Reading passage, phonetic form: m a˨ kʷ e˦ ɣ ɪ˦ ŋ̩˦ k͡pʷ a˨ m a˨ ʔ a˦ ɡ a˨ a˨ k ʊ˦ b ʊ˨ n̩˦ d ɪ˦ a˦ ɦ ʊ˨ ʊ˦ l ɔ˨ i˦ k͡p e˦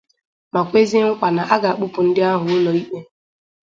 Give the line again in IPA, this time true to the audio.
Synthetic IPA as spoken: m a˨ kʷ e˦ z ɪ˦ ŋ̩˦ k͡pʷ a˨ n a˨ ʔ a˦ ɡ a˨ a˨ k͡p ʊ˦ p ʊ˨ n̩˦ d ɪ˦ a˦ ɦ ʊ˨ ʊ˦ l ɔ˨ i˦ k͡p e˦